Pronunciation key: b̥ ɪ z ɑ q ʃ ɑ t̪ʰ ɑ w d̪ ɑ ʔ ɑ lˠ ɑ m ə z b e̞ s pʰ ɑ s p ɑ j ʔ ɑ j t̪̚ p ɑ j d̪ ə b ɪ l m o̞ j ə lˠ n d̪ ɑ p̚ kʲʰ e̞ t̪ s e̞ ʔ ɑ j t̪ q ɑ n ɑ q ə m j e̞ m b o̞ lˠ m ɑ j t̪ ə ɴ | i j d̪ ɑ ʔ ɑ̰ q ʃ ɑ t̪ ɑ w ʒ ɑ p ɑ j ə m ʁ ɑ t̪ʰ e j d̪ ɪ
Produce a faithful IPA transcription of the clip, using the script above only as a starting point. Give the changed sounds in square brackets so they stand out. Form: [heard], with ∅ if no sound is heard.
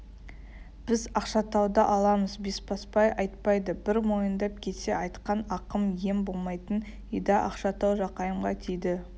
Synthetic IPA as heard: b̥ ɪ z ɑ q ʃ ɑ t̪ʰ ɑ w d̪ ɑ ʔ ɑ lˠ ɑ m ə z b e̞ s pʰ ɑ s p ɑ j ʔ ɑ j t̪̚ p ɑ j d̪ ə b ɪ [ɾ] m o̞ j ə [∅] n d̪ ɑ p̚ kʲʰ e̞ t̪ s e̞ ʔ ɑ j t̪ q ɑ n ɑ q ə m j e̞ m b o̞ lˠ m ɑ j t̪ ə [n] | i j d̪ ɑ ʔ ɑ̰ q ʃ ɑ t̪ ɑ w ʒ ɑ [q] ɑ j ə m ʁ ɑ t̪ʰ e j d̪ ɪ